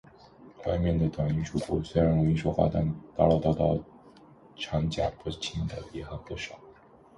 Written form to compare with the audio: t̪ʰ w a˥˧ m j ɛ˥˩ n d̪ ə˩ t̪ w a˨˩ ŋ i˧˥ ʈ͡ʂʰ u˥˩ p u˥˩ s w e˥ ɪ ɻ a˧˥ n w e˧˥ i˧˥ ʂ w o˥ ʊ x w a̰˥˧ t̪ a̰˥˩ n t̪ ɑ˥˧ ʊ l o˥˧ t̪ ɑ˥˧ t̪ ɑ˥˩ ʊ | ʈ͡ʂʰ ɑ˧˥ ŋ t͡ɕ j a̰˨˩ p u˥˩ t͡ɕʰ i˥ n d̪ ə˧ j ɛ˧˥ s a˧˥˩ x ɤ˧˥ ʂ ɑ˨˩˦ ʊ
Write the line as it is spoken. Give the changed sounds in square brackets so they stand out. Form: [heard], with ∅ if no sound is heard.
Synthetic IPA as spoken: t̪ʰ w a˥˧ m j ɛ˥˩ n d̪ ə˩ t̪ w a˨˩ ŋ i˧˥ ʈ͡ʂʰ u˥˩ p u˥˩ s w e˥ ɪ ɻ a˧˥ n w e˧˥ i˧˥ ʂ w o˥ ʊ x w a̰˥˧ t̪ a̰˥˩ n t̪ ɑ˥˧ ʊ l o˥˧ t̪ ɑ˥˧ t̪ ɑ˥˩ ʊ | ʈ͡ʂʰ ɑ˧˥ ŋ t͡ɕ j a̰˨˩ p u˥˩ t͡ɕʰ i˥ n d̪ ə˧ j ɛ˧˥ [x] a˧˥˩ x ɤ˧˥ ʂ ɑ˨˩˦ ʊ